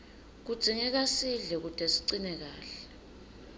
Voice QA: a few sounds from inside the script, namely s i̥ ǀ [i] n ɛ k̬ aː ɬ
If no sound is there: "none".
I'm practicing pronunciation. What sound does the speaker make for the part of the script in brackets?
i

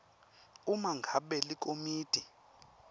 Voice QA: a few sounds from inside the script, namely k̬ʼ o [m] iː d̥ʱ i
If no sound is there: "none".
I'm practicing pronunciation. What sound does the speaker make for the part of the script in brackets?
m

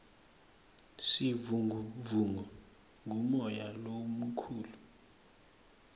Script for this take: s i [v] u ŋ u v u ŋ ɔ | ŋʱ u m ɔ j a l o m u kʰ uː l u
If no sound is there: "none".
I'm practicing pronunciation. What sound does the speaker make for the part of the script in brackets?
v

